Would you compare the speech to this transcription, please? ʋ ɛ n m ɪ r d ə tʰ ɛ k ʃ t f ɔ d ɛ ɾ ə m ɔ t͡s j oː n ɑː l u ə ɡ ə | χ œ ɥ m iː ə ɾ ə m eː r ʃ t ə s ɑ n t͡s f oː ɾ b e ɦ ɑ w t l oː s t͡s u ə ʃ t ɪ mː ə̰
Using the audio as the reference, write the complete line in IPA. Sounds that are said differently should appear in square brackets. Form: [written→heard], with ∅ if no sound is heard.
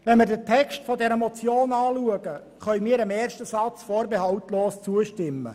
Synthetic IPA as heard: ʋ ɛ n m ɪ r d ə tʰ ɛ k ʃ t f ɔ d ɛ ɾ ə m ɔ t͡s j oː n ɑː l u ə ɡ ə | χ œ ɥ m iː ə ɾ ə m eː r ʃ t ə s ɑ [n→∅] t͡s f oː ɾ b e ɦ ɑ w t l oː s t͡s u ə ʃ t ɪ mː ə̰